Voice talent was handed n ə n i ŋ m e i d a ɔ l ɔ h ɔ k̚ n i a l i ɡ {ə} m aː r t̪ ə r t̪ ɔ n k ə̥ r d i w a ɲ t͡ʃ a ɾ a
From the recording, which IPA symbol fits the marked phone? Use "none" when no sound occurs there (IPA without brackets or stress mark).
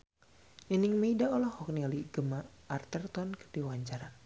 ə